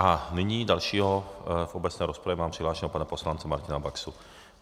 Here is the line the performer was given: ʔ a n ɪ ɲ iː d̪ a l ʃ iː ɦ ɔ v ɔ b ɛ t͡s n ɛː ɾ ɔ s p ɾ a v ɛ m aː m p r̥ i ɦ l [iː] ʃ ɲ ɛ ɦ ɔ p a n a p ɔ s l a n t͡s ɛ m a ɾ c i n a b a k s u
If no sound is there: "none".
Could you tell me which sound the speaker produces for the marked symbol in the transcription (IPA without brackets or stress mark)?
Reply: aː